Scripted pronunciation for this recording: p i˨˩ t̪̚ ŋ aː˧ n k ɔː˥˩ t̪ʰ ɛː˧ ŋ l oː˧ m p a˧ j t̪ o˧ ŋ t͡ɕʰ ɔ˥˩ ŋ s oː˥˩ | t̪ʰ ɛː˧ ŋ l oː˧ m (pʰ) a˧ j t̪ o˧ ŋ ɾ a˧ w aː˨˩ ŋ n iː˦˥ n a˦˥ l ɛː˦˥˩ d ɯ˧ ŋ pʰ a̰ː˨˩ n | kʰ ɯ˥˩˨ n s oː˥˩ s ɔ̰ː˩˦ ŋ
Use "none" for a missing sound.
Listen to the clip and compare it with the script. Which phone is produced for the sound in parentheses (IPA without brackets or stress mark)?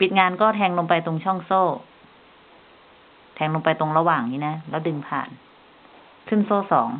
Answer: p